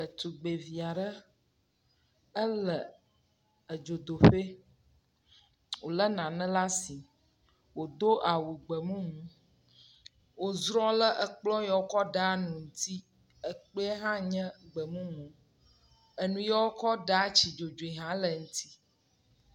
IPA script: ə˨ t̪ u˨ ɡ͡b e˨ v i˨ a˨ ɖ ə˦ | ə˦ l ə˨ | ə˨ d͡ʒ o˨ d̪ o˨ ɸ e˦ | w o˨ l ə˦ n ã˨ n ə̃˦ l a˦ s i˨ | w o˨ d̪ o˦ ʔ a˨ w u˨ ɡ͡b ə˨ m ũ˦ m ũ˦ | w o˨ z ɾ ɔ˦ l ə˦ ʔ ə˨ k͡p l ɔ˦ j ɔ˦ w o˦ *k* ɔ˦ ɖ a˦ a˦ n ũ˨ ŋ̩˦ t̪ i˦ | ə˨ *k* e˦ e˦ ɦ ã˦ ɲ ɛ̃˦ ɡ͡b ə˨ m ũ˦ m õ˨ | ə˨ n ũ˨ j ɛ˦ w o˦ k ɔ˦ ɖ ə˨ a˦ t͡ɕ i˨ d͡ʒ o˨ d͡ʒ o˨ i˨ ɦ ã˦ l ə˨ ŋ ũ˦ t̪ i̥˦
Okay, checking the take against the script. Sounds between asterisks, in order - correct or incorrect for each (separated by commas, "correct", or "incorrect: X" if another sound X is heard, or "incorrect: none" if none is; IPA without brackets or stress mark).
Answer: correct, incorrect: k͡p